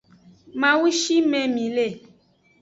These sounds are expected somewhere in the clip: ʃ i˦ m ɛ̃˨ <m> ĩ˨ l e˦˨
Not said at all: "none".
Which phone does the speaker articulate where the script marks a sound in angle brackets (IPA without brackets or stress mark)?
m